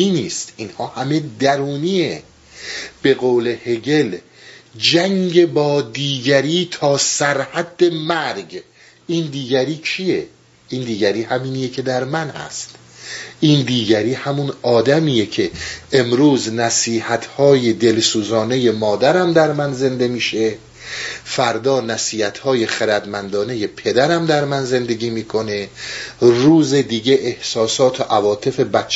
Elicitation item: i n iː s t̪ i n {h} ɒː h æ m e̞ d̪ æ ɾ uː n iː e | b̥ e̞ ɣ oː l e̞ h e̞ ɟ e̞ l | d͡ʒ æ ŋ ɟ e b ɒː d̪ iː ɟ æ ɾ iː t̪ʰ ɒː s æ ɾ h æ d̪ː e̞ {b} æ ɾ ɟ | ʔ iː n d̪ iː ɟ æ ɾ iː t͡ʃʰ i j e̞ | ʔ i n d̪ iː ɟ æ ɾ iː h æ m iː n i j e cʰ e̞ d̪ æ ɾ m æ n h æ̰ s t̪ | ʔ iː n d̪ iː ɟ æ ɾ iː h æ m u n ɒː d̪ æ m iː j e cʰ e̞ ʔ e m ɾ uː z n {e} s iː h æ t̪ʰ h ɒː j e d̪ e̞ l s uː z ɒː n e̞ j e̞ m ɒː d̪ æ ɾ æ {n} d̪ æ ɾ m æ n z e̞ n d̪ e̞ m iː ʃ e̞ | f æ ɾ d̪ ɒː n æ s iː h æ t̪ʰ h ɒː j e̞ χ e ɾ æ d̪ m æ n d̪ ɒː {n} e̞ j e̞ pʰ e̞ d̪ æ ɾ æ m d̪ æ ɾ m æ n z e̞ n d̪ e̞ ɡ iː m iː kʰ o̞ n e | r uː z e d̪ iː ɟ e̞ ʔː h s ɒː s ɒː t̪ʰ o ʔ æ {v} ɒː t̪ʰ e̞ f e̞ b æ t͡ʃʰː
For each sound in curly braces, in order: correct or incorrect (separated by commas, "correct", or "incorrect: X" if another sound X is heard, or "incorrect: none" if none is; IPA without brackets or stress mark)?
correct, incorrect: m, incorrect: æ, incorrect: m, correct, correct